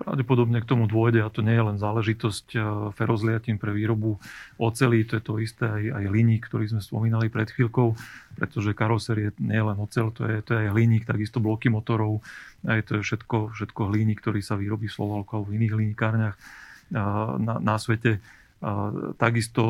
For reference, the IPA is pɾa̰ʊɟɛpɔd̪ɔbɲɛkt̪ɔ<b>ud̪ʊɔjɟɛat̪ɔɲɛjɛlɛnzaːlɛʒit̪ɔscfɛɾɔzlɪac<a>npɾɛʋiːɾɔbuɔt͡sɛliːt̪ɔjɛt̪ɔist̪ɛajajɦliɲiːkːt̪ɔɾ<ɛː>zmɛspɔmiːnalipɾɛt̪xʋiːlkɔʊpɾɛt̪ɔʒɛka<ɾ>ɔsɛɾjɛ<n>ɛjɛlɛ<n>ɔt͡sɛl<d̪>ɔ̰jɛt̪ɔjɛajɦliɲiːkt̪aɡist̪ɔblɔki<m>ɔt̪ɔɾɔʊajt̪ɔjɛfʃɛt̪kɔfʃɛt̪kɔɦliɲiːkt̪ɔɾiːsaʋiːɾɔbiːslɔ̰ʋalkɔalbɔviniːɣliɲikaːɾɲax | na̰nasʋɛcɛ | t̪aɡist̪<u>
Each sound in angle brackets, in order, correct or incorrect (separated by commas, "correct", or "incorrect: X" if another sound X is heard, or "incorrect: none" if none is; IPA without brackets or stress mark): incorrect: m, incorrect: i, incorrect: iː, correct, incorrect: ɲ, correct, incorrect: t̪, correct, incorrect: ɔ